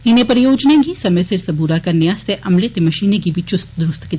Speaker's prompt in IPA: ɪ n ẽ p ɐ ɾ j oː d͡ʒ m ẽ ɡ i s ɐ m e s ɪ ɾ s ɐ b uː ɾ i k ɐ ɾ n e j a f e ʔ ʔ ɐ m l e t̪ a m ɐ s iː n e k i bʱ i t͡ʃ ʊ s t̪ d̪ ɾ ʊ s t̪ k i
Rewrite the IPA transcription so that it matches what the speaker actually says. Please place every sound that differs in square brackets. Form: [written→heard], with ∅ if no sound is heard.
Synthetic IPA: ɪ n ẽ p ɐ ɾ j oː d͡ʒ [m→n] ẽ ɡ i s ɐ m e s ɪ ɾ s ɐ b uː ɾ [i→a] k ɐ ɾ n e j a [f→s] e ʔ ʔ ɐ m l e t̪ [a→e] m ɐ [s→ʃ] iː n e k i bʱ i t͡ʃ ʊ s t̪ d̪ ɾ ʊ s t̪ k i